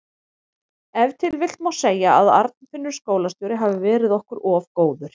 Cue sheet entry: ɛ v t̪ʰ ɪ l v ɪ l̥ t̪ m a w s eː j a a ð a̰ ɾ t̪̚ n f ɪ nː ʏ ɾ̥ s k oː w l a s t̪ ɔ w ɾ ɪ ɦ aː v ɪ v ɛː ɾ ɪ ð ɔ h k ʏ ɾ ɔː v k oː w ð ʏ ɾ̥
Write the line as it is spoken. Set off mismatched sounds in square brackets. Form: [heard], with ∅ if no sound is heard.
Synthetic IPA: ɛ v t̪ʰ ɪ l v ɪ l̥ t̪ m a w s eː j a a ð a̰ ɾ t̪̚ n f ɪ nː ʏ ɾ̥ s k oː w l a s t̪ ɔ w ɾ ɪ ɦ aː v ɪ v ɛː ɾ ɪ ð ɔ h k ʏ ɾ ɔː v k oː w ð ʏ ɾ̥